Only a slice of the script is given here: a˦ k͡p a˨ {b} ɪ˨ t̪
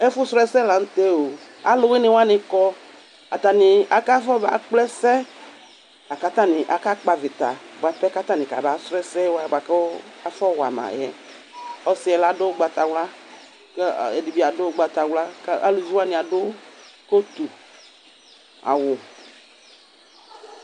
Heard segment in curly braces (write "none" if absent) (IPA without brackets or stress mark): v